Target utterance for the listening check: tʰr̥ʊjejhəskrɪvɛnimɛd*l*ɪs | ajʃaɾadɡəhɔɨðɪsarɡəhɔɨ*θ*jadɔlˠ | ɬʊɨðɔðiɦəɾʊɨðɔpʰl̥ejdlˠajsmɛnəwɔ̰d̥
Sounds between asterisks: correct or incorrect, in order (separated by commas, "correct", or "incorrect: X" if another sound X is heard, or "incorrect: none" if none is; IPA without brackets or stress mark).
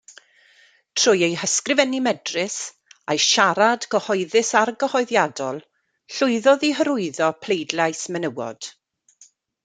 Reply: incorrect: r, incorrect: ð